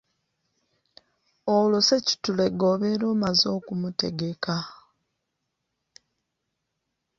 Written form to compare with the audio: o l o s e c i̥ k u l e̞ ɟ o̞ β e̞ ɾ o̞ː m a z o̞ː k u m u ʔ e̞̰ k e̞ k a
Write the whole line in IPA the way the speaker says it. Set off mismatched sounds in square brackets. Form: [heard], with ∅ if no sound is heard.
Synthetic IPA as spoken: o l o s e c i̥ [t] u l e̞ [ɡ] o̞ β e̞ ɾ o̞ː m a z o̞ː k u m u [t] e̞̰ [ɡ] e̞ k a